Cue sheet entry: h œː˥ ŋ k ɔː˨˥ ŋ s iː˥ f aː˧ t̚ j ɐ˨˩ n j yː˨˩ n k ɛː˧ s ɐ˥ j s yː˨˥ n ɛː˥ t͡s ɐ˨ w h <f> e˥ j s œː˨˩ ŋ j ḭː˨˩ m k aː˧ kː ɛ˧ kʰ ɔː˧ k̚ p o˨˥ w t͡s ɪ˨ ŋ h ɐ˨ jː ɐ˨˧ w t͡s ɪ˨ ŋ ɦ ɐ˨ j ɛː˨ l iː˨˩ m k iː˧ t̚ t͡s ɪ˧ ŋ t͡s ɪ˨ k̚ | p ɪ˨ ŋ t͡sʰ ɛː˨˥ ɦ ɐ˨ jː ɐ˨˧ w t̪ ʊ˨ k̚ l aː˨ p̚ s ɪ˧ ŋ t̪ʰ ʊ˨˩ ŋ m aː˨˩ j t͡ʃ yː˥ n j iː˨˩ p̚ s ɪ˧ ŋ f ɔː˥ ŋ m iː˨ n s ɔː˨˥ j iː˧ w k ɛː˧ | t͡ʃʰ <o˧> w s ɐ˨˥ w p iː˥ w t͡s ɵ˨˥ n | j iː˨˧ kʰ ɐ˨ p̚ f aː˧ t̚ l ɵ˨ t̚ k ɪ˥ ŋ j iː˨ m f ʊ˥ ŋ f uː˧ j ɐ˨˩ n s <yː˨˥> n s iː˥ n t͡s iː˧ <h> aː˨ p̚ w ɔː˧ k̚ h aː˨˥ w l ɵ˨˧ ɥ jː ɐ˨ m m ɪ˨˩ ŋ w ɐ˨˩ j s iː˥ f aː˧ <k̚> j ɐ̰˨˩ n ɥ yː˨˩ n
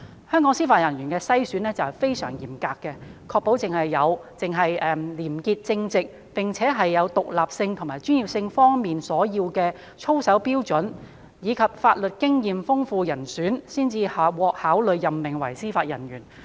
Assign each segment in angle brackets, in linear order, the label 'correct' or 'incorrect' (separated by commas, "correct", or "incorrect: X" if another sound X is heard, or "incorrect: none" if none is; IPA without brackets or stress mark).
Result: correct, incorrect: o˥, correct, correct, incorrect: t̚